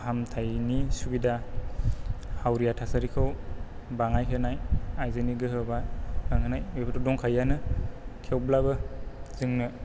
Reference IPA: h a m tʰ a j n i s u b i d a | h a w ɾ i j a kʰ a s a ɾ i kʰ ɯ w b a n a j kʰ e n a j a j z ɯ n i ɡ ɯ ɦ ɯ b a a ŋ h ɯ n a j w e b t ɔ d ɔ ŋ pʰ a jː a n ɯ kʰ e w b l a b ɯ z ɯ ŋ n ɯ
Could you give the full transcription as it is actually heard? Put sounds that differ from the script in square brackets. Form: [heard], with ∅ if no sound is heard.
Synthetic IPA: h a m tʰ a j n i s u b i d a | h a w ɾ i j a [tʰ] a s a ɾ i kʰ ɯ w b a [ŋ] a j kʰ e n a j a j z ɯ n i ɡ ɯ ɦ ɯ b a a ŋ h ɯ n a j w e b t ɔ d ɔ ŋ [kʰ] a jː a n ɯ kʰ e w b l a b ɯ z ɯ ŋ n ɯ